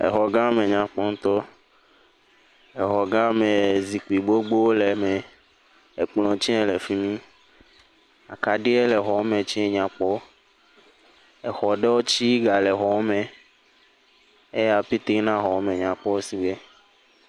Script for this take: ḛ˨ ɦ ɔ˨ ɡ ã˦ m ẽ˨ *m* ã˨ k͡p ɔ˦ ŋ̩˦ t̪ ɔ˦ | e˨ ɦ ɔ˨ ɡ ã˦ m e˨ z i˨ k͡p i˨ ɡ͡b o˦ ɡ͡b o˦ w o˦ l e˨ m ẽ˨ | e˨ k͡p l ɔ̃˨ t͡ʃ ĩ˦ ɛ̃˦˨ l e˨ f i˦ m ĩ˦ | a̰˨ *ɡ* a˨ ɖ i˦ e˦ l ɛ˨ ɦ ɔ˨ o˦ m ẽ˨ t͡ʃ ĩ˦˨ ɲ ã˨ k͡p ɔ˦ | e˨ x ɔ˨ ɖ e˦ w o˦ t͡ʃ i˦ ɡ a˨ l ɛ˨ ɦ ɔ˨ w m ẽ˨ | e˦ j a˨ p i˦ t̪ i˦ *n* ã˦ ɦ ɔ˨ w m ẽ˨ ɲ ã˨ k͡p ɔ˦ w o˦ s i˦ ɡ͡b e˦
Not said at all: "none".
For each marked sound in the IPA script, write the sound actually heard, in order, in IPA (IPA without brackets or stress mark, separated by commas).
ɲ, k, n